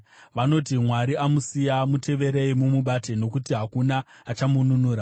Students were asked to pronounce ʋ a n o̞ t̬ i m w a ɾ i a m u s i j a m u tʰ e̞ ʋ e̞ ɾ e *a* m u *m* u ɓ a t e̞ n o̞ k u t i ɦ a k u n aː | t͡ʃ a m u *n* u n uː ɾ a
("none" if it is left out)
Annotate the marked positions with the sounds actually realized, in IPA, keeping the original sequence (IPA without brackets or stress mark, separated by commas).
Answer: i, m, n